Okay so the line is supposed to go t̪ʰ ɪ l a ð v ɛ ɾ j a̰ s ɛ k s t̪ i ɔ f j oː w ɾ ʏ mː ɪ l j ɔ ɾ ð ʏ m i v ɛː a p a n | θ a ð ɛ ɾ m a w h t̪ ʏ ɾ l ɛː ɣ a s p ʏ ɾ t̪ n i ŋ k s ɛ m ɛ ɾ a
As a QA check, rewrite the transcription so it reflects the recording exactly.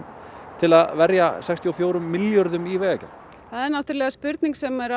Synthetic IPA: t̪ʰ ɪ l a ð v ɛ ɾ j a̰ s ɛ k s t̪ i ɔ f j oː w ɾ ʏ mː ɪ l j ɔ ɾ ð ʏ m i v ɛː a c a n | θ a ð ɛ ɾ n a w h t̪ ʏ ɾ l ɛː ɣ a s p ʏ ɾ t̪ n i ŋ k s ɛ m ɛ ɾ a